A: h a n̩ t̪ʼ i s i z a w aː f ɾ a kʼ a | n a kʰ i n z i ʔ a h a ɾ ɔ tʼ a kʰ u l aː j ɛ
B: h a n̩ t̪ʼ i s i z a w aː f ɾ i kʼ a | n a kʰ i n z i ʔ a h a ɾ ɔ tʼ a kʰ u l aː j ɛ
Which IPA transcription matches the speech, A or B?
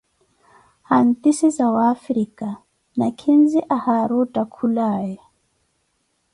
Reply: B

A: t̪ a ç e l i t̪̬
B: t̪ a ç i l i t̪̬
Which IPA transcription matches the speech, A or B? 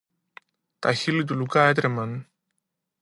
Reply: B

